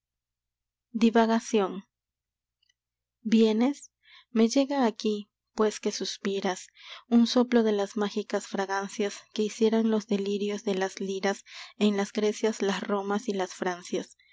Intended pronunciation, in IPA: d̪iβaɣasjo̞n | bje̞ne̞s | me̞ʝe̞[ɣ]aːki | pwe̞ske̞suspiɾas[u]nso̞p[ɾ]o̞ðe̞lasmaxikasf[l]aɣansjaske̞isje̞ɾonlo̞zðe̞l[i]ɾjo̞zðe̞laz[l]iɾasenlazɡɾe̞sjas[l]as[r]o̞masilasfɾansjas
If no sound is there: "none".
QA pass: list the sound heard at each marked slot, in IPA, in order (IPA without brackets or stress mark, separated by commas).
ɣ, u, l, ɾ, i, l, l, r